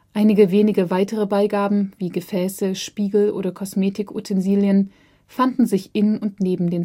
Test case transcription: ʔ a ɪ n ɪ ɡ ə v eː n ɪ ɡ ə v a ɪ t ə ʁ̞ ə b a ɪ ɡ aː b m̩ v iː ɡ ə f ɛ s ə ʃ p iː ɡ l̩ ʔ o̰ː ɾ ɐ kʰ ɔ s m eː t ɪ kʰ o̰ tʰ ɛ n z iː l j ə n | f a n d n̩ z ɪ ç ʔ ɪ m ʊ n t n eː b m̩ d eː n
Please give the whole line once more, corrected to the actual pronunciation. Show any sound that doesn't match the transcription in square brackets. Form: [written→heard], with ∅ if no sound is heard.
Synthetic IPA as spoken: ʔ a ɪ n ɪ ɡ ə v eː n ɪ ɡ ə v a ɪ t ə ʁ̞ ə b a ɪ ɡ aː b m̩ v iː ɡ ə f [ɛ→ɛː] s ə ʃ p iː ɡ l̩ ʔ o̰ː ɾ ɐ kʰ ɔ s m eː t ɪ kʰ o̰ tʰ ɛ n z iː l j ə n | f a n d n̩ z ɪ ç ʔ ɪ [m→n] ʊ n t n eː b m̩ d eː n

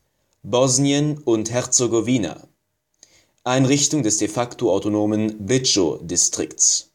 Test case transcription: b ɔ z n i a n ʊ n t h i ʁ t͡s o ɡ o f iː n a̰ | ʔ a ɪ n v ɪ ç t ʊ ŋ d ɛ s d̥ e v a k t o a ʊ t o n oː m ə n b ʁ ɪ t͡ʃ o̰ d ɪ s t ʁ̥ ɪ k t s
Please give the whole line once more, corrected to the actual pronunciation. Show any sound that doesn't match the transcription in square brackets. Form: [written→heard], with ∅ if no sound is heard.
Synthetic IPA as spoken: b ɔ z n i [a→ə] n ʊ n t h [i→ɛ] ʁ t͡s o ɡ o [f→v] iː n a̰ | ʔ a ɪ n [v→ʁ] ɪ ç t ʊ ŋ d ɛ s d̥ e [v→f] a k t o a ʊ t o n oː m ə n b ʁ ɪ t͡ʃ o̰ d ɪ s t ʁ̥ ɪ k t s

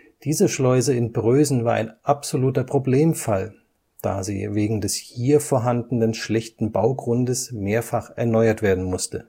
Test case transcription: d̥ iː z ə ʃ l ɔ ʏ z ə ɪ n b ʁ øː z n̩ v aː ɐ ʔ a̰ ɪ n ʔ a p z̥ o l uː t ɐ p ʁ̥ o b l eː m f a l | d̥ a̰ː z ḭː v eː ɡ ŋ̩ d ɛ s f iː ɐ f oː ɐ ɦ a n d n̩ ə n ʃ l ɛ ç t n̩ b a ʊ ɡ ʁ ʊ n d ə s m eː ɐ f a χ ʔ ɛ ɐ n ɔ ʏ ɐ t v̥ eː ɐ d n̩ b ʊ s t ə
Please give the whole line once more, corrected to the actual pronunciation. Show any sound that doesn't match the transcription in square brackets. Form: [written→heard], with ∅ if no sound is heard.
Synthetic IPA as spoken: d̥ iː z ə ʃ l ɔ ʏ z ə ɪ n b ʁ øː z n̩ v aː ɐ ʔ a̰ ɪ n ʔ a p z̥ o l uː t ɐ p ʁ̥ o b l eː m f a l | d̥ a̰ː z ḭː v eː ɡ ŋ̩ d ɛ s [f→h] iː ɐ f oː ɐ ɦ a n d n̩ ə n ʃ l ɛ ç t n̩ b a ʊ ɡ ʁ ʊ n d ə s m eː ɐ f a χ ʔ ɛ ɐ n ɔ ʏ ɐ t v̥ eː ɐ d n̩ [b→m] ʊ s t ə

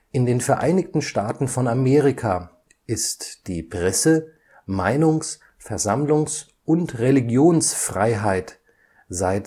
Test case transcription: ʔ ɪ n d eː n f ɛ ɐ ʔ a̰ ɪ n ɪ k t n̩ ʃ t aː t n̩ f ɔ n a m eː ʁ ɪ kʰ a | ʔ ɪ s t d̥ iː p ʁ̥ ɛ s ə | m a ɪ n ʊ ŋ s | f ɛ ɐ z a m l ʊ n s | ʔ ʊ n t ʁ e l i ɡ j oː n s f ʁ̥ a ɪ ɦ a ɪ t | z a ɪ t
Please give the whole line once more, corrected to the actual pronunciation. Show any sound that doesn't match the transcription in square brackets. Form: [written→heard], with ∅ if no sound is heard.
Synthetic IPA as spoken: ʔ ɪ n d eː n f ɛ ɐ ʔ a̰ ɪ n ɪ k t n̩ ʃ t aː t n̩ f ɔ n a m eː ʁ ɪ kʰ a | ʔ ɪ s t d̥ iː p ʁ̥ ɛ s ə | m a ɪ n ʊ ŋ s | f ɛ ɐ z a m l ʊ [n→ŋ] s | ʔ ʊ n t ʁ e l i ɡ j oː n s f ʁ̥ a ɪ ɦ a ɪ t | z a ɪ t

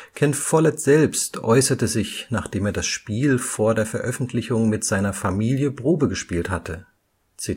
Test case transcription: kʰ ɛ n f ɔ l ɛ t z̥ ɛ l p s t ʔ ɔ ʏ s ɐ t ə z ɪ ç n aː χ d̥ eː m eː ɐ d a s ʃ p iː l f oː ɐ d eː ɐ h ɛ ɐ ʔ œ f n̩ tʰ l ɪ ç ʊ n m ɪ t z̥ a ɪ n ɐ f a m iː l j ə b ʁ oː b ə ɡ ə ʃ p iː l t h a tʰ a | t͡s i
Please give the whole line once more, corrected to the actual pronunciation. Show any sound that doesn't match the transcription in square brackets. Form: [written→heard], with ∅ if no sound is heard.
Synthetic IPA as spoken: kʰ ɛ n f ɔ l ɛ t z̥ ɛ l p s t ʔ ɔ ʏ s ɐ t ə z ɪ ç n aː χ d̥ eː m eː ɐ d a s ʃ p iː l f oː ɐ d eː ɐ [h→f] ɛ ɐ ʔ œ f n̩ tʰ l ɪ ç ʊ [n→ŋ] m ɪ t z̥ a ɪ n ɐ f a m iː l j ə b ʁ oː b ə ɡ ə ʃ p iː l t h a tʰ [a→ə] | t͡s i

